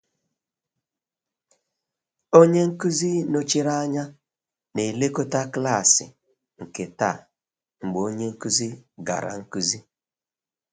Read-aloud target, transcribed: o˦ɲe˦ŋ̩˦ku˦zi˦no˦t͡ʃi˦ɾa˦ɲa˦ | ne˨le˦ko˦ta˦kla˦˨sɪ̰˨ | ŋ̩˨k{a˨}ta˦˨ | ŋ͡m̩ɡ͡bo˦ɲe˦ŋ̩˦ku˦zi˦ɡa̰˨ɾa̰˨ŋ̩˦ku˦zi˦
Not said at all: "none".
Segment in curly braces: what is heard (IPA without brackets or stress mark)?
e˨